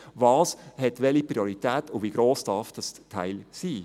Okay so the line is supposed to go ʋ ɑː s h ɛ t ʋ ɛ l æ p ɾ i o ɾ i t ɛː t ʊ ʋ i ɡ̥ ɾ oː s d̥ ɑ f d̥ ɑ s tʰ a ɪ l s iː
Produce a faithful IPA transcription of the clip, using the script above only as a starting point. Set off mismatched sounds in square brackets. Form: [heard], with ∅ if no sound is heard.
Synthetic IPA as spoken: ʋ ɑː s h ɛ t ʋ ɛ l [i] p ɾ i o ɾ i t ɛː t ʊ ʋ i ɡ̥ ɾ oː s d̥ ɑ f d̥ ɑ s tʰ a ɪ l s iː